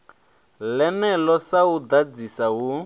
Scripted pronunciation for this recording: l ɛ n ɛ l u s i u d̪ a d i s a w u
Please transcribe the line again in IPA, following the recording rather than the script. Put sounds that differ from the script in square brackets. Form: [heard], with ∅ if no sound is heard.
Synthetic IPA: l ɛ n ɛ l [ɔ] s [a] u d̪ a [d͡z] i s a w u